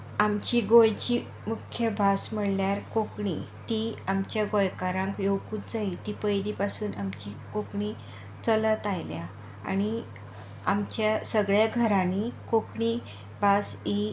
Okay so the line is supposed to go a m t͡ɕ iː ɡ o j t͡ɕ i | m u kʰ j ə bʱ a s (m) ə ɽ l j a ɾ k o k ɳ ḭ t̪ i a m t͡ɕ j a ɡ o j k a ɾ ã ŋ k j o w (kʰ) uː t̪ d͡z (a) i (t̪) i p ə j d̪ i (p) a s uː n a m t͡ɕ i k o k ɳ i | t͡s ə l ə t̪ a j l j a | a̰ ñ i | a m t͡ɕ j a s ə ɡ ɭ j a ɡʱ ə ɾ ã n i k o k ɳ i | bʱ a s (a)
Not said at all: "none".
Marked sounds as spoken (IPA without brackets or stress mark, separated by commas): m, k, a, t̪, p, i